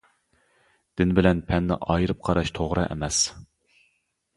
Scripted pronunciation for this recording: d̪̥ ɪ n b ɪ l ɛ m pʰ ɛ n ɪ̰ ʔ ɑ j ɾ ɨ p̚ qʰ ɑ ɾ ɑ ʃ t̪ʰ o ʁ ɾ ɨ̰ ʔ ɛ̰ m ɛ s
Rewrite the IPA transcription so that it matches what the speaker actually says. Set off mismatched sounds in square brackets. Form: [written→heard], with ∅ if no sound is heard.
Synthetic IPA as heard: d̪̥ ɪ n b ɪ l ɛ [m→n] pʰ ɛ [n→nː] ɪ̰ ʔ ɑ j ɾ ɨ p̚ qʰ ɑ ɾ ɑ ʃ t̪ʰ o ʁ ɾ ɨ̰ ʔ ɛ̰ m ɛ s